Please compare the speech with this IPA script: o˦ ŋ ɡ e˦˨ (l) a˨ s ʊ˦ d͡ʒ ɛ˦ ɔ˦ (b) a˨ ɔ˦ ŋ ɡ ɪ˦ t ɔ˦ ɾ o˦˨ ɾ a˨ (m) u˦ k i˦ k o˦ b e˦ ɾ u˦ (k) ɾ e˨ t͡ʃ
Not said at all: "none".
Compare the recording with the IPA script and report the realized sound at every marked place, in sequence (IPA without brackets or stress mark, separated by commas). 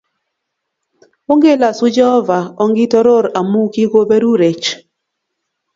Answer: l, v, m, none